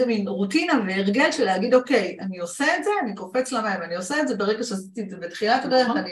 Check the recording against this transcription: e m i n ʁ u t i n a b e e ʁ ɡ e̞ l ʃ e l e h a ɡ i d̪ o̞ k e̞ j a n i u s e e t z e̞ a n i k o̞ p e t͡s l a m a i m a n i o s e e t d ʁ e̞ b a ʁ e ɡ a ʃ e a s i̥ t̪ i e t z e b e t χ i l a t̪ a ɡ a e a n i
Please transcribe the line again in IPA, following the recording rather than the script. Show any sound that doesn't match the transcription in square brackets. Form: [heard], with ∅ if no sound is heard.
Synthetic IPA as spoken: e m i n ʁ u t i n a [v] e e ʁ ɡ e̞ l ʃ e l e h a ɡ i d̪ o̞ k e̞ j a n i [o] s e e t z e̞ a n i k o̞ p e t͡s l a m a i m a n i o s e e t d [z] e̞ b [e] ʁ e ɡ a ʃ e a s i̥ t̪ i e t z e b e t χ i l a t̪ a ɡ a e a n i